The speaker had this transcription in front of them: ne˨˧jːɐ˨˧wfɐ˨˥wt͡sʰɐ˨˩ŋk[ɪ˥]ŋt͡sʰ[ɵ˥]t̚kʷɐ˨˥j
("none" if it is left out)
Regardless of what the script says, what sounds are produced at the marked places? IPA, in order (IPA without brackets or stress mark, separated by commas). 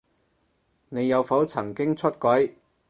ɪ˥, ɵ˥